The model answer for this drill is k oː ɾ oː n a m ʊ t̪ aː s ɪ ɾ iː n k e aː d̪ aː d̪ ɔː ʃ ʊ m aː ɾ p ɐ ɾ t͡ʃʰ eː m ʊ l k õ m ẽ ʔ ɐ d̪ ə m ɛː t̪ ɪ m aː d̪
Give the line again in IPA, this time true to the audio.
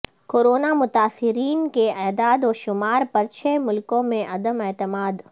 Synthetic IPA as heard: k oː ɾ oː n a m ʊ t̪ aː s ɪ ɾ iː n k e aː d̪ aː d̪ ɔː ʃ ʊ m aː ɾ p ɐ ɾ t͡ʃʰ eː m ʊ l k õ m ẽ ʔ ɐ d̪ ə m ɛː t̪ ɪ m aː d̪